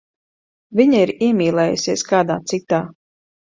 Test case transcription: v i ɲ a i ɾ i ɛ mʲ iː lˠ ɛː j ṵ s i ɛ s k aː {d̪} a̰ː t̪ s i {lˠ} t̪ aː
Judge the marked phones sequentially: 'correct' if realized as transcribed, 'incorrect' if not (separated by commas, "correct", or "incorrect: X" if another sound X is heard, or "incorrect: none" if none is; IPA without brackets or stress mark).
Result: correct, incorrect: none